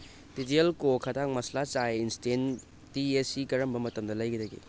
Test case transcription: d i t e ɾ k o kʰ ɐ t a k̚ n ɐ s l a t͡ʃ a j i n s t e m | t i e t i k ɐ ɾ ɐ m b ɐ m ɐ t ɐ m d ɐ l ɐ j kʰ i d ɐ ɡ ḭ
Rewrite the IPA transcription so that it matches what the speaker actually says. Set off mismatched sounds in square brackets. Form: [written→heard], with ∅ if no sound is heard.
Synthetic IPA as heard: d i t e [ɾ→l] k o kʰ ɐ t a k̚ [n→m] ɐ s l a t͡ʃ a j i n s t e [m→n] | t i e [t→s] i k ɐ ɾ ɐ m b ɐ m ɐ t ɐ m d ɐ l ɐ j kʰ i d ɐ ɡ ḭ